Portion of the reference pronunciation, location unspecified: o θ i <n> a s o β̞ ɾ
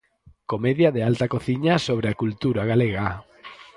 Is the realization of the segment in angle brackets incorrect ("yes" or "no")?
yes